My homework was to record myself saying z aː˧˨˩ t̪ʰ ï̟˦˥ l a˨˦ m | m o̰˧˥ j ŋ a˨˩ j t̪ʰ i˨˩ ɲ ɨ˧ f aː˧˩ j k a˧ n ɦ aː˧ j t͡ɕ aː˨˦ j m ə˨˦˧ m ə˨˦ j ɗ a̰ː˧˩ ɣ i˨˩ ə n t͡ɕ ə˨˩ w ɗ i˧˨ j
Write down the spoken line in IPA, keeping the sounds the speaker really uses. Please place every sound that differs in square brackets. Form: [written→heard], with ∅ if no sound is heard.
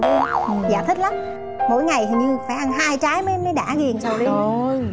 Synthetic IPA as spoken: z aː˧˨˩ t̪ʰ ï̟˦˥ l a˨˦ m | m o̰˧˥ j ŋ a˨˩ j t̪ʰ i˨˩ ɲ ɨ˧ f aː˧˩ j [k→ʔ] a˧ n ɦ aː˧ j t͡ɕ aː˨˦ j m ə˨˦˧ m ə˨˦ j ɗ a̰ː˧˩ ɣ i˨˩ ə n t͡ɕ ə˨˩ w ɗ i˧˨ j